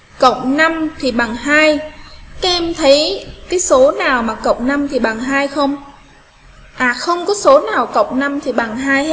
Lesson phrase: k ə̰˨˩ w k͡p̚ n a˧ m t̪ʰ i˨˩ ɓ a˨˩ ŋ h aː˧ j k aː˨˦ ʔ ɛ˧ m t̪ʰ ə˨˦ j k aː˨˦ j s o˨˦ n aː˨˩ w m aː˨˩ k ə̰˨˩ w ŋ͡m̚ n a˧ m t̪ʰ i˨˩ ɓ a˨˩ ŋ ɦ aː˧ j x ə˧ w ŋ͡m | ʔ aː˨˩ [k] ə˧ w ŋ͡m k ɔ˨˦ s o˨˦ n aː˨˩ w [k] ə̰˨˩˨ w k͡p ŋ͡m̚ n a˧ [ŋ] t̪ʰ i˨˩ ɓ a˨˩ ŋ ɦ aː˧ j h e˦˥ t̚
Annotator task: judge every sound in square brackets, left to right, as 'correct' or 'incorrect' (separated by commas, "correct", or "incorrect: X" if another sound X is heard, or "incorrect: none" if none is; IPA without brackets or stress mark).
incorrect: x, correct, incorrect: m